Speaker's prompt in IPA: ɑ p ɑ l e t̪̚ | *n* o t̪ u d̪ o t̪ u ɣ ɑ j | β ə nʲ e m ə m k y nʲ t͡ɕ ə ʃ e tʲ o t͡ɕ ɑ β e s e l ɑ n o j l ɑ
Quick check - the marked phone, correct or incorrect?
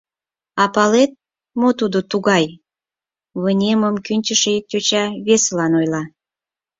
incorrect